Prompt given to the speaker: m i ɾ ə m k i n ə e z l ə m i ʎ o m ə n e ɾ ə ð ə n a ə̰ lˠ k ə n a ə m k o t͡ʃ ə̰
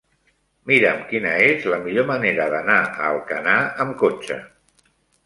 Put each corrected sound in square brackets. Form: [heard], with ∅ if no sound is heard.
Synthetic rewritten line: m i ɾ ə m k i n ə e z l ə m i ʎ o m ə n e ɾ ə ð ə n a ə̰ lˠ k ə n a ə m k o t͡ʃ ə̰